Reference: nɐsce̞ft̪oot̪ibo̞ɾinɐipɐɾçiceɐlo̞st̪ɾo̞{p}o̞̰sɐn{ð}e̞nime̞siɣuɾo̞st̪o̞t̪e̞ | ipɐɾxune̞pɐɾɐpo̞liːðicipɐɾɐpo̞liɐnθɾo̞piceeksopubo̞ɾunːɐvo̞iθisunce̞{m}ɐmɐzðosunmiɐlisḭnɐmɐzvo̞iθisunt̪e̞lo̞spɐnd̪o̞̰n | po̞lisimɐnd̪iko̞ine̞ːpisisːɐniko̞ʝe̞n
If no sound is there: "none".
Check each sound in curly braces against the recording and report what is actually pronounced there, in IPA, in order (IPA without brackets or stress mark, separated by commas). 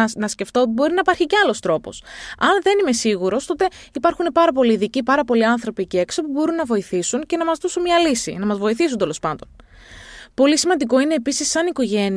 p, ð, n